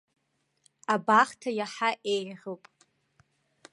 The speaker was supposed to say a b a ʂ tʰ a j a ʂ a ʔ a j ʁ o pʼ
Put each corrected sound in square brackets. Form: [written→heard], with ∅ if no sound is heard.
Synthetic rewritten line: a b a [ʂ→χ] tʰ a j a [ʂ→ħ] a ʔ [a→e] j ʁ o pʼ